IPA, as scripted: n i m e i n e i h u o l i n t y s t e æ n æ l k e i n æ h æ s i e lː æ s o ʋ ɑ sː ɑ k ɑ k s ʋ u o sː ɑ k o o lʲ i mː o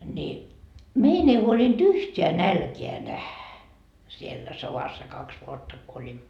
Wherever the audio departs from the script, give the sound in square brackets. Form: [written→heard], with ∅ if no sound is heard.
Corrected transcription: n i m e i n e i h u o l i n t y [s→h] t e æ n æ l k e [i→æ] n æ h æ s i e lː æ s o ʋ ɑ sː ɑ k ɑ k s ʋ u o [sː→tː] ɑ k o o lʲ i mː o

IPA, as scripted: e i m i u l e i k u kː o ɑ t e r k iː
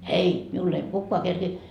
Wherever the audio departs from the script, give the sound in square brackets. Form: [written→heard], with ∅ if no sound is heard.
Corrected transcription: e i m i u [l→lː] e i k u kː o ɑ [t→k] e r k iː

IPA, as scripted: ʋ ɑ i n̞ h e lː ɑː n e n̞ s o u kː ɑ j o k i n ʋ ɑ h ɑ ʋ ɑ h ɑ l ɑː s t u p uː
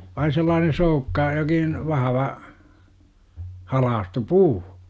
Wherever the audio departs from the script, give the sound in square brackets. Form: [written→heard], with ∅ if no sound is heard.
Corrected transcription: ʋ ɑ i n̞ [h→s] e lː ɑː n e n̞ s o u kː ɑ j o k i n ʋ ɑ h ɑ ʋ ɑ h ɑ l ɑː s t u p uː

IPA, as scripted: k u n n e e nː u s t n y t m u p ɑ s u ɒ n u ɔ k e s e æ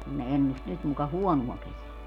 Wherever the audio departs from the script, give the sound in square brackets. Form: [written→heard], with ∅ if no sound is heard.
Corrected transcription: k u n n e e nː u s t n y t m u [p→k] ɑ [s→h] u [ɒ→ɔ] n u ɔ k e s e æ

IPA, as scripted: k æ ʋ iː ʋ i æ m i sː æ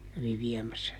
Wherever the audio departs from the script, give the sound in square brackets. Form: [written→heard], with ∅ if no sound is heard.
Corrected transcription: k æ ʋ [iː→i] ʋ i [æ→ɛ] m [i→æ] sː æ

